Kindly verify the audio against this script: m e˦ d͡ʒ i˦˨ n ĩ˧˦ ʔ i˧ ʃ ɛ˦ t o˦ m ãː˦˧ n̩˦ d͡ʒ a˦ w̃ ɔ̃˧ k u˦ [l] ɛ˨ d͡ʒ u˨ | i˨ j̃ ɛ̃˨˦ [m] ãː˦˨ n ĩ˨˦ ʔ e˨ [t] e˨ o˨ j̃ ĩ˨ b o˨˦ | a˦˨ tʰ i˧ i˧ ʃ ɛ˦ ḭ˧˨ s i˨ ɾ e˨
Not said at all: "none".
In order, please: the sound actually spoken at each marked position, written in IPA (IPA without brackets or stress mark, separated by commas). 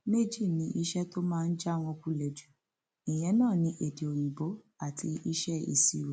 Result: l, n, d